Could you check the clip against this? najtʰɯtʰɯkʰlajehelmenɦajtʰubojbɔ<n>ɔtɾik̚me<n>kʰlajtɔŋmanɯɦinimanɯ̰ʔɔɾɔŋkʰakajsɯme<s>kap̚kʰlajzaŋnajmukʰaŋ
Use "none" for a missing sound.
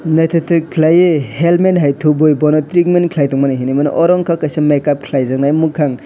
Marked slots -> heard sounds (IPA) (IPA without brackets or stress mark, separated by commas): n, n, none